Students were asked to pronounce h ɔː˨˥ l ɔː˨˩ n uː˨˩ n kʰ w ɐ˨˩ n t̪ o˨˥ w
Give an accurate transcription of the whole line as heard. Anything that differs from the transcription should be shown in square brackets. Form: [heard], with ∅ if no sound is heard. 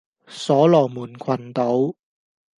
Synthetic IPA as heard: [s] ɔː˨˥ l ɔː˨˩ [m] uː˨˩ n kʰ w ɐ˨˩ n t̪ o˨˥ w

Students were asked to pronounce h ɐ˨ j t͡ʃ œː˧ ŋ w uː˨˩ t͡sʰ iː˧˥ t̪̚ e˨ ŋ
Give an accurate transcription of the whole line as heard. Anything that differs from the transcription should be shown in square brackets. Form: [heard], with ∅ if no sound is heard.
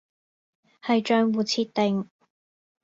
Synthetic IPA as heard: h ɐ˨ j t͡ʃ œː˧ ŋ w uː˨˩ t͡sʰ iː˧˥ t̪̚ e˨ ŋ

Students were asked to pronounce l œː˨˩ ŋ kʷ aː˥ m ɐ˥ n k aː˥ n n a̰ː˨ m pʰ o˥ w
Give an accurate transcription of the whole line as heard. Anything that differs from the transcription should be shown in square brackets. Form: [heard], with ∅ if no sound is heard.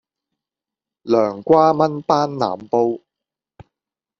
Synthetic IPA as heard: l œː˨˩ ŋ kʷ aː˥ m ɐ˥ n [p] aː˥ n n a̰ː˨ m [p] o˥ w

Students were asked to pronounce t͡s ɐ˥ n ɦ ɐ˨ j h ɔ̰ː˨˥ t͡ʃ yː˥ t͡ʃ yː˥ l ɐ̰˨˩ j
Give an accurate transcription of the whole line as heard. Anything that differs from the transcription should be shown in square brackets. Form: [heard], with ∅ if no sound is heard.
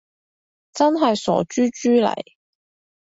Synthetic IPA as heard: t͡s ɐ˥ n ɦ ɐ˨ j [s] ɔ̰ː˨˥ t͡ʃ yː˥ t͡ʃ yː˥ l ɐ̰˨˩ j

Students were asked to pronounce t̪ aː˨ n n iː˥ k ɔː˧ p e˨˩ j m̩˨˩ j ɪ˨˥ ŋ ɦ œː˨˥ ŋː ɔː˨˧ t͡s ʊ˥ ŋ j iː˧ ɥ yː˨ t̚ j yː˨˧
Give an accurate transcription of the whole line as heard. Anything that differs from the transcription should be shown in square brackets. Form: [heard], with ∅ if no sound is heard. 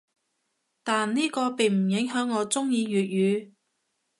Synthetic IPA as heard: t̪ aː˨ n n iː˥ k ɔː˧ p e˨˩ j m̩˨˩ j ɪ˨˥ ŋ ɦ œː˨˥ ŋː ɔː˨˧ t͡s ʊ˥ ŋ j iː˧ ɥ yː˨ t̚ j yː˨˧

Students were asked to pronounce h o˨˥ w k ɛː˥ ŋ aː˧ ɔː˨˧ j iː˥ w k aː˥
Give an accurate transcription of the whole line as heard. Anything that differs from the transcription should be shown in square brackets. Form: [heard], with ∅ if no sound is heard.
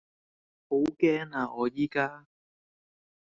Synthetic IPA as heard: h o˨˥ w k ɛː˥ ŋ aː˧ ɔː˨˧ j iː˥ [∅] k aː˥

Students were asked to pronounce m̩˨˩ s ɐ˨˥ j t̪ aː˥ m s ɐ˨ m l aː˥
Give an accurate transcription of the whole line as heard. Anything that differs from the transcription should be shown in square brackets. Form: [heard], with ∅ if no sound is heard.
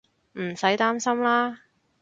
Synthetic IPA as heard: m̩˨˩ s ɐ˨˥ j t̪ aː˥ m s [ɐ˥] m l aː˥

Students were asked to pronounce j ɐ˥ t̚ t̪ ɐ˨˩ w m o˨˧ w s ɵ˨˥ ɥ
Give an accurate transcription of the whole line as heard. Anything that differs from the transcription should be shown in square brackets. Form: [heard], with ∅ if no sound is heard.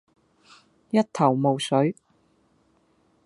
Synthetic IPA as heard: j ɐ˥ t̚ [t̪ʰ] ɐ˨˩ w m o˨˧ w s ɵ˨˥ ɥ

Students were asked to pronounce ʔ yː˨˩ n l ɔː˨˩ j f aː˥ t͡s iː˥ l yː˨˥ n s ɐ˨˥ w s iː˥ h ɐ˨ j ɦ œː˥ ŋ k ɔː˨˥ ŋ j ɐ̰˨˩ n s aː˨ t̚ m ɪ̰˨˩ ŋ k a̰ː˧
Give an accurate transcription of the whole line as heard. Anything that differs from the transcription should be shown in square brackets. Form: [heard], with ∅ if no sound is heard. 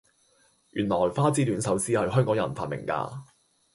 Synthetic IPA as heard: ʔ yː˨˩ n l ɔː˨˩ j f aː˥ t͡s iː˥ l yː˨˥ n s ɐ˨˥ w s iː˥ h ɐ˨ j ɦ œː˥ ŋ k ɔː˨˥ ŋ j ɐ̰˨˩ n [f] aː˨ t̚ m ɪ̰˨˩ ŋ k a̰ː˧

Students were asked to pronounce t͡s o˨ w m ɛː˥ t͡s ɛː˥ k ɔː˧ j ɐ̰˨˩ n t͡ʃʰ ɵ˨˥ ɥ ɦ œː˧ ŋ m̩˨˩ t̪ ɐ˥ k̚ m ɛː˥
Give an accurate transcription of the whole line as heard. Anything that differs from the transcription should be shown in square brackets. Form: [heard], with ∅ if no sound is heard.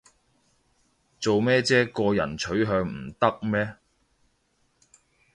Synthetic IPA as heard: t͡s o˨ w m ɛː˥ t͡s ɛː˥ k ɔː˧ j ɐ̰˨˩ n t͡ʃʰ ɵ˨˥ ɥ ɦ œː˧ ŋ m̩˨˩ t̪ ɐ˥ k̚ m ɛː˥

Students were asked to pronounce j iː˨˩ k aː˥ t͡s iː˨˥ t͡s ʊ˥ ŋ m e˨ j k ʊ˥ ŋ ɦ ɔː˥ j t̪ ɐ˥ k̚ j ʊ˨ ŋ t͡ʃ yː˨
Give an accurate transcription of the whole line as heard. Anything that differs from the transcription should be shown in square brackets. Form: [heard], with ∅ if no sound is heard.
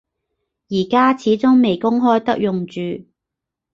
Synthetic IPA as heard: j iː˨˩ k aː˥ [t͡sʰ] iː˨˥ t͡s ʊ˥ ŋ m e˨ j k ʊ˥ ŋ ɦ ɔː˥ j t̪ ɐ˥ k̚ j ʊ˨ ŋ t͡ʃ yː˨

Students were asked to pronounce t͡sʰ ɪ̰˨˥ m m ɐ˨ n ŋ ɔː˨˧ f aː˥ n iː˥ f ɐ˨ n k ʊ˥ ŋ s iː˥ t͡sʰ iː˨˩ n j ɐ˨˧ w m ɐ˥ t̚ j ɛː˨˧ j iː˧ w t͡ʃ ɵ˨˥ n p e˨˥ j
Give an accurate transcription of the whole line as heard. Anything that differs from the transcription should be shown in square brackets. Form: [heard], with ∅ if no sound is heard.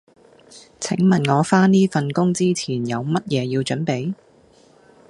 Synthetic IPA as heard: t͡sʰ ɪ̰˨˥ [ŋ] m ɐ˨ n ŋ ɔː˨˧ f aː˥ n iː˥ f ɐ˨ n k ʊ˥ ŋ [t͡s] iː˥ t͡sʰ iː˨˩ n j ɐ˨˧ w m ɐ˥ t̚ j ɛː˨˧ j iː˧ w t͡ʃ ɵ˨˥ n p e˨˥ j

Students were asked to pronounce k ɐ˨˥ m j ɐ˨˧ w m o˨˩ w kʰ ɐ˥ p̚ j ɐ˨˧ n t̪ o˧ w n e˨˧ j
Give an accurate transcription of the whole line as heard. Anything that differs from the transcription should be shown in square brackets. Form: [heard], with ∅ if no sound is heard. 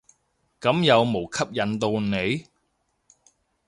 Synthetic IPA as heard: k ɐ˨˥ m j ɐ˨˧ w m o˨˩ w kʰ ɐ˥ p̚ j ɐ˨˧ n t̪ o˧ w n e˨˧ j

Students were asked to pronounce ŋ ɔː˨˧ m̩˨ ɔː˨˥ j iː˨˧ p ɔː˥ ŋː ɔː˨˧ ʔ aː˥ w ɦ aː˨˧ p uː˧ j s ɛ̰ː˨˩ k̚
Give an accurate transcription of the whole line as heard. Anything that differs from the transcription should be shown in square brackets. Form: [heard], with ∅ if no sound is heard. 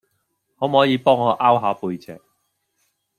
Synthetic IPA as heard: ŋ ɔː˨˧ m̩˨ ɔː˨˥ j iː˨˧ p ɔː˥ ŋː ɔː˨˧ ʔ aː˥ w ɦ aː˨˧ p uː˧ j [t͡s] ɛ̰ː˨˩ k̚

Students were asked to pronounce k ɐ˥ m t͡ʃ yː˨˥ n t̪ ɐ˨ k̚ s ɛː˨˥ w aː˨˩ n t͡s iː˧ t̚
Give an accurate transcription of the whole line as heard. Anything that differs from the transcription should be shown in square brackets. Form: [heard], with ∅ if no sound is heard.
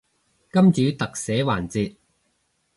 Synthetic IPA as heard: k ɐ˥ m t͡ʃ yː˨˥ [∅] t̪ ɐ˨ k̚ s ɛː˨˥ w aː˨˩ n t͡s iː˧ t̚

